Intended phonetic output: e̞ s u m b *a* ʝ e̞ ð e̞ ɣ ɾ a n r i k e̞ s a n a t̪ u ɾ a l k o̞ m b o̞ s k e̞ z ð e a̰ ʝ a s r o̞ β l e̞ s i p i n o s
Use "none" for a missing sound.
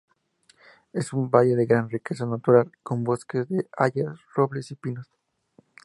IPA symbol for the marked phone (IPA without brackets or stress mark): a